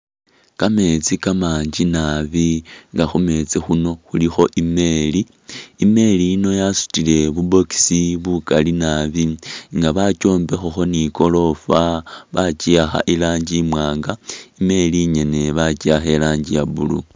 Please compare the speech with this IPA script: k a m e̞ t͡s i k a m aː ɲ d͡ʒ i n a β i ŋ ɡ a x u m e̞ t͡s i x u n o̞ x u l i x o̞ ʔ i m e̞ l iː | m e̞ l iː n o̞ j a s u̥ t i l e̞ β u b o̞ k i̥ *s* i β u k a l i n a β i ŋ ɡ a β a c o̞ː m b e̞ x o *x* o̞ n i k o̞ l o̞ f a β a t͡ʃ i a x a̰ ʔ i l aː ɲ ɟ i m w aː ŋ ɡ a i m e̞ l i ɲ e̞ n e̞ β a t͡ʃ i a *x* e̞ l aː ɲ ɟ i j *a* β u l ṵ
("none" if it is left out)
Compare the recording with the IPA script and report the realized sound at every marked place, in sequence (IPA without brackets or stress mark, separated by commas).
s, x, x, a